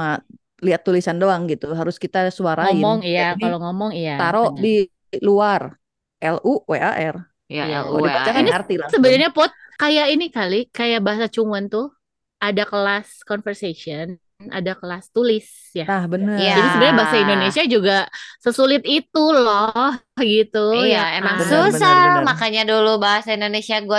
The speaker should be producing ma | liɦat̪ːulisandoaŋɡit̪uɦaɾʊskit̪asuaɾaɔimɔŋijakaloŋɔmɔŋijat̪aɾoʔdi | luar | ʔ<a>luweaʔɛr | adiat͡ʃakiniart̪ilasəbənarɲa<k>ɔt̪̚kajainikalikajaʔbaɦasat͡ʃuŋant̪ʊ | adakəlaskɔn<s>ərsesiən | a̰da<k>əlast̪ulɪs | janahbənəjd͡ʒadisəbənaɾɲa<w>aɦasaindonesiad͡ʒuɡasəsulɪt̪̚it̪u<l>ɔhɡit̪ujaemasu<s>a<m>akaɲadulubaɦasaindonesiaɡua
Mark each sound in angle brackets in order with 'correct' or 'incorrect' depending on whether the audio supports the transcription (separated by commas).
incorrect, incorrect, incorrect, correct, incorrect, correct, correct, correct